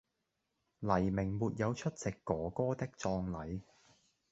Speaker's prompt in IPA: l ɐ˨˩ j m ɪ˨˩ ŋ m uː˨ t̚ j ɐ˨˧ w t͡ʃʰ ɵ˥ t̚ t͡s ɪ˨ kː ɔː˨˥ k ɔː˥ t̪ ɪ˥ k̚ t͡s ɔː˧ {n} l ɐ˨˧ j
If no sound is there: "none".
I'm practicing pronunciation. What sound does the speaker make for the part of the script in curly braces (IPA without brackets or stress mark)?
ŋ